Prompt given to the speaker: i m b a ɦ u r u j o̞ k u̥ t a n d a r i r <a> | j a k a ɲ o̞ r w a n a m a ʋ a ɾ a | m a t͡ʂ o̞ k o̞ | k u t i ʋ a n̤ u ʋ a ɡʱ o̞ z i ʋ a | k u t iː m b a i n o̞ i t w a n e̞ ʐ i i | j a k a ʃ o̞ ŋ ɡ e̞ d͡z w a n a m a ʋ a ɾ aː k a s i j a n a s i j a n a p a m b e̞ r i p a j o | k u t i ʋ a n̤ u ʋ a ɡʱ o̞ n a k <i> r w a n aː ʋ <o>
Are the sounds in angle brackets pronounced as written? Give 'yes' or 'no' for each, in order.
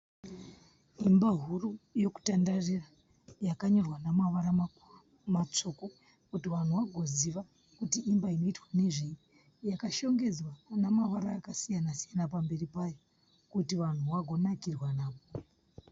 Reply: yes, yes, yes

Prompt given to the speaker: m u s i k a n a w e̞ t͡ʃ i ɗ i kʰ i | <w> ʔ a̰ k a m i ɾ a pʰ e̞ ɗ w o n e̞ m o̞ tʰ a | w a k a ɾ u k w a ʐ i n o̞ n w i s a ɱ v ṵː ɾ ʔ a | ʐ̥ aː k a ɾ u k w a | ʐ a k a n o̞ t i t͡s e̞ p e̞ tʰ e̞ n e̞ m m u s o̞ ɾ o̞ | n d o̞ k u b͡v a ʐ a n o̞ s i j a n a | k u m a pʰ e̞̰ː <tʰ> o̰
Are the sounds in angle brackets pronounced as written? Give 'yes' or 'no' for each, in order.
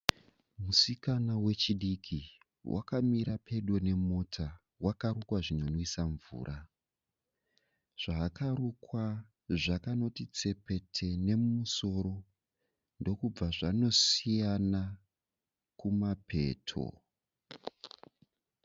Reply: yes, yes

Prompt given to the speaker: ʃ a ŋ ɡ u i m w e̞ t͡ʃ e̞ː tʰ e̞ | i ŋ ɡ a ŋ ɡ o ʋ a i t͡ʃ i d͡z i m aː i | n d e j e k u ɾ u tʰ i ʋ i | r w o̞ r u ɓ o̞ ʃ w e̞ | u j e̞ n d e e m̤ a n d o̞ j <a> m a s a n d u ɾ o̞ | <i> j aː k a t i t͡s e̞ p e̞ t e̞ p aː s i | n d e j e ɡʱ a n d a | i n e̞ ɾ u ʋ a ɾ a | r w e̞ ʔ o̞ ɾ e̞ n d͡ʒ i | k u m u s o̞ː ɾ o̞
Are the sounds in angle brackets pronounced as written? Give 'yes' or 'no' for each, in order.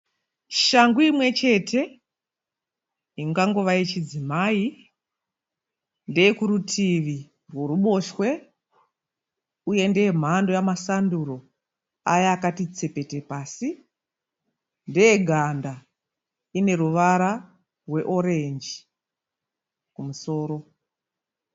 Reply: yes, no

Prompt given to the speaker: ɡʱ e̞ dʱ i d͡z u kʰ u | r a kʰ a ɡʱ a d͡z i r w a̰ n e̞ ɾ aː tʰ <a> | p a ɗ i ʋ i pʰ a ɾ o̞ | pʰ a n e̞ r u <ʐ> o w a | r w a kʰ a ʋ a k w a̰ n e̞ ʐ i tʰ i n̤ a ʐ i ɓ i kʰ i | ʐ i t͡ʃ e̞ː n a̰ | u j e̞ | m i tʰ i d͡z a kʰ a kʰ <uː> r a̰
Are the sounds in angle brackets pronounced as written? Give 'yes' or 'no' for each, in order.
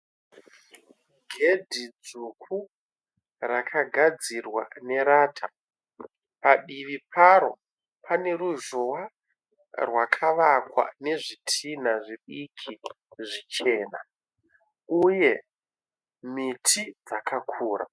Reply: yes, no, yes

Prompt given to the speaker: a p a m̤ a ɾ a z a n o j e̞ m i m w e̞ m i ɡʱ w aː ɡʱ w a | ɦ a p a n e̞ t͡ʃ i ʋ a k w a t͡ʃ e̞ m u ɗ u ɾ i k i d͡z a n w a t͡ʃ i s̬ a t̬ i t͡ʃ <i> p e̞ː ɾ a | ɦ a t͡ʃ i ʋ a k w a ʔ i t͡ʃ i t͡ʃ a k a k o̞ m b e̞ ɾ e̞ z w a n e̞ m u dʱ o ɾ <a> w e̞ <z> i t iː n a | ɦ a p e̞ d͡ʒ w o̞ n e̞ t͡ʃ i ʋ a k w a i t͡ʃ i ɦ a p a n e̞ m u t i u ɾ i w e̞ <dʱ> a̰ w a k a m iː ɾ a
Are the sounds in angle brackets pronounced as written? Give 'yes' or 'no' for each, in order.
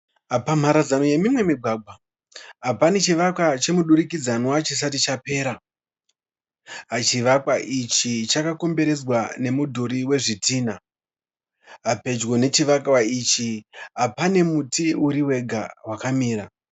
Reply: no, no, no, no

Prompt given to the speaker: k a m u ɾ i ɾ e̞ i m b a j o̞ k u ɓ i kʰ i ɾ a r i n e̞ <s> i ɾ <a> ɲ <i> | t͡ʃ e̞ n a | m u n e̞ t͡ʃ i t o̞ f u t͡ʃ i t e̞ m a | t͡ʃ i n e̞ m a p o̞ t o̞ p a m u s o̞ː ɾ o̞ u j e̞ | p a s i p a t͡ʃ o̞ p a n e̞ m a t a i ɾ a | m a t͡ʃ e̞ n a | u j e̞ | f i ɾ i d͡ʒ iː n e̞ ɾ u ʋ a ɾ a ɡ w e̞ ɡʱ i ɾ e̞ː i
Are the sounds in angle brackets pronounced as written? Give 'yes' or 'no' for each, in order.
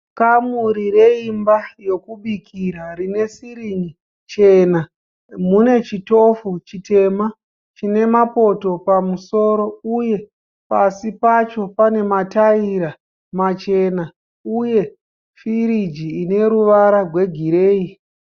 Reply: yes, no, yes

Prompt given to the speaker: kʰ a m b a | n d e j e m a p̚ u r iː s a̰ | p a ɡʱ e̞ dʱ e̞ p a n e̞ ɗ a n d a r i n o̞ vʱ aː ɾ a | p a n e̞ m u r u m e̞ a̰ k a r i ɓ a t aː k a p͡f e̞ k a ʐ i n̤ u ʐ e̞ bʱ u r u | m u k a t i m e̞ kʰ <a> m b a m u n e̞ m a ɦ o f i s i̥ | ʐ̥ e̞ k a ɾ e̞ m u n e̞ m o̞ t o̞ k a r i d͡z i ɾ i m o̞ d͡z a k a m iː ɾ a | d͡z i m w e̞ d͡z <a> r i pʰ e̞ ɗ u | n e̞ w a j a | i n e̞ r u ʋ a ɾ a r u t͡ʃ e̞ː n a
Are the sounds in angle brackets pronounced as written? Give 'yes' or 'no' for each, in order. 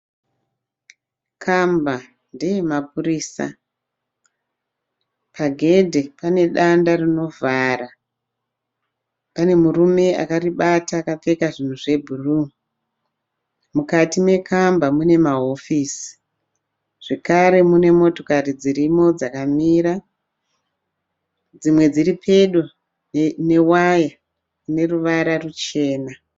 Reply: yes, no

